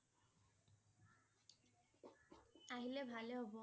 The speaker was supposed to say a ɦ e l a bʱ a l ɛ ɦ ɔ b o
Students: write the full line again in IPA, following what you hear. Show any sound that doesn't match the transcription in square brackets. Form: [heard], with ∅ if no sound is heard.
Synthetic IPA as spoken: a ɦ [i] l [e] bʱ a l [e] ɦ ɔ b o